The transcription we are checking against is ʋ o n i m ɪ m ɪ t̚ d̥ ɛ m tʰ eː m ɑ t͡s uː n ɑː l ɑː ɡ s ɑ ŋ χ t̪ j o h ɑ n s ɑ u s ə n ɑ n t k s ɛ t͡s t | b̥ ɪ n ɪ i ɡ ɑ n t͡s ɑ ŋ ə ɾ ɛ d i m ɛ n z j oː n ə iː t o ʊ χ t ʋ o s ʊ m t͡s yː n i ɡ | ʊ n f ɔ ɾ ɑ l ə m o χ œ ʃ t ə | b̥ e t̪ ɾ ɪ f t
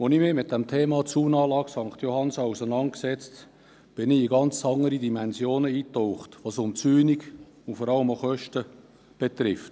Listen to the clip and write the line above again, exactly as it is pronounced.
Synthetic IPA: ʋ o n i m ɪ m ɪ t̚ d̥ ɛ m tʰ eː m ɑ t͡s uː n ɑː l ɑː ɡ s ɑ ŋ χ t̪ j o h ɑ n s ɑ u s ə n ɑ n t k s ɛ t͡s t | b̥ ɪ n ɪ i ɡ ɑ n t͡s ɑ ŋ ə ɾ i d i m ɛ n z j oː n ə iː t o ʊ χ t ʋ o s ʊ m t͡s yː n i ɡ | ʊ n f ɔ ɾ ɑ l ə m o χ œ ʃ t ə | b̥ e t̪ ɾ ɪ f t